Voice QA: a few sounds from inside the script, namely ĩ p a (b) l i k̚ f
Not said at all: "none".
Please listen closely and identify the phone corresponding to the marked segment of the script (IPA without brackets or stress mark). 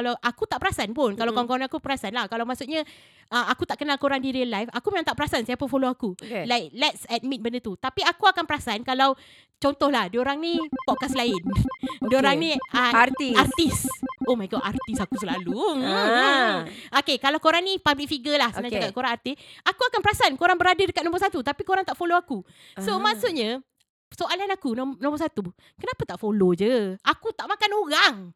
b